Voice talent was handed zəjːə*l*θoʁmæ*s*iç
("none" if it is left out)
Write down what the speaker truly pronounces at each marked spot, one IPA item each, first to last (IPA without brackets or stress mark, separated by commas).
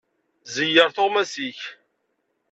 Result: ɾ, s